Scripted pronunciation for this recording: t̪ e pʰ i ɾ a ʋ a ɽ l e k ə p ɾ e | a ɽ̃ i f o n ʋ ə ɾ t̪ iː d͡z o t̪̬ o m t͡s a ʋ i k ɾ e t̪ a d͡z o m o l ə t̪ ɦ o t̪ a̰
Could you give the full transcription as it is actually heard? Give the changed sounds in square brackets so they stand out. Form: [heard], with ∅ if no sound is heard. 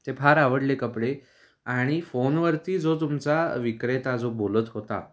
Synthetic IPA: t̪ e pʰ [a] ɾ a ʋ [ə] ɽ l e k ə p [ɽ] e | a ɽ̃ i f o n ʋ ə ɾ t̪ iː d͡z o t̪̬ [u] m t͡s a ʋ i k ɾ e t̪ a d͡z o [b] o l ə t̪ ɦ o t̪ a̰